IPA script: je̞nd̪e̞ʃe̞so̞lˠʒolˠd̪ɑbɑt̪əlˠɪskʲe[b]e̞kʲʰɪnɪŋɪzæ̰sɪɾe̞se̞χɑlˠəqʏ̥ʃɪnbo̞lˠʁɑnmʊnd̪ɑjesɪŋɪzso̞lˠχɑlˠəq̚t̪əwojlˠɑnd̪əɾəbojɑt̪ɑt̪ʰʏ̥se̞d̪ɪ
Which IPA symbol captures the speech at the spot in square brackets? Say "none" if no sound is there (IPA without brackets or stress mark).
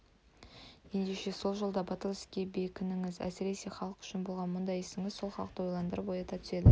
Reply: b